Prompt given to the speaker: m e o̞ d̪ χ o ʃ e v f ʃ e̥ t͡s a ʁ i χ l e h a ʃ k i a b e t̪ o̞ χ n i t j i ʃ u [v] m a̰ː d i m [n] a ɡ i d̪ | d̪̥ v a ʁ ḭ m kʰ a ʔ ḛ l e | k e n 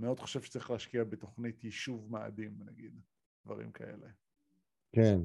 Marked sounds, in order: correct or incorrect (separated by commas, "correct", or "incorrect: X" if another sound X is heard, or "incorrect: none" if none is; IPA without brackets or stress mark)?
correct, correct